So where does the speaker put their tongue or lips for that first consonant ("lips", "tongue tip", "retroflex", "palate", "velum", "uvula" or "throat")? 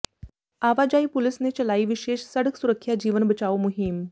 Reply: lips